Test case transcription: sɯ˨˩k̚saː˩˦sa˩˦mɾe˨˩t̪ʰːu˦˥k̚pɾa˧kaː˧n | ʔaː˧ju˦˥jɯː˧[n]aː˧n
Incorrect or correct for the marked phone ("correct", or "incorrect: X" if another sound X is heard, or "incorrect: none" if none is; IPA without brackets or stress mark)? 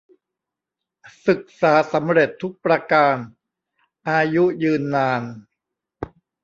incorrect: nː